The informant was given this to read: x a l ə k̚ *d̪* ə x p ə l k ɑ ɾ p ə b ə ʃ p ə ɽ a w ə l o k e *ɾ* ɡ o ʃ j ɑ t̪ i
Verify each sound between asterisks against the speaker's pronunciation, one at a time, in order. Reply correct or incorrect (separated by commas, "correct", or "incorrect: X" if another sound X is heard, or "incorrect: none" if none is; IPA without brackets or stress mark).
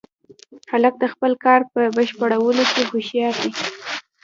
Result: correct, incorrect: none